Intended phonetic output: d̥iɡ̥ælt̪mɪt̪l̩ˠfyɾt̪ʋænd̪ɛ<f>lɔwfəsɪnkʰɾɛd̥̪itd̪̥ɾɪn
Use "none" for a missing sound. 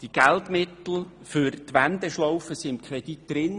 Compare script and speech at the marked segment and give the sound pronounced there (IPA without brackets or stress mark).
ʃ